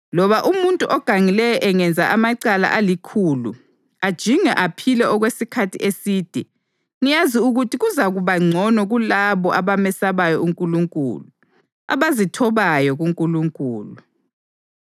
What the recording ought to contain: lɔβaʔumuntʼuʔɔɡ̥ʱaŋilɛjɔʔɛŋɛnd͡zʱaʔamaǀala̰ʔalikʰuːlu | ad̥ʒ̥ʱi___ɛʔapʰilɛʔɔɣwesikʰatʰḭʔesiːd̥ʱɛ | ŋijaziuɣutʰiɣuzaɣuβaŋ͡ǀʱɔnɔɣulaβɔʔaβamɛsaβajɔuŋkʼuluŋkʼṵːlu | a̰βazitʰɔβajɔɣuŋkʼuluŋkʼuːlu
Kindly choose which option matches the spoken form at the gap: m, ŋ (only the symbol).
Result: ŋ